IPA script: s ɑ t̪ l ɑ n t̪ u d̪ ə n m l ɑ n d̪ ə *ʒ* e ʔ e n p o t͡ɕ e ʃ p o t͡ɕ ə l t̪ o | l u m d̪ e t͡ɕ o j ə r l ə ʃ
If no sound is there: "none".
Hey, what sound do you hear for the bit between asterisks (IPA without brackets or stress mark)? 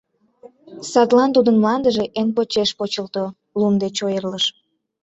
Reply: ʒ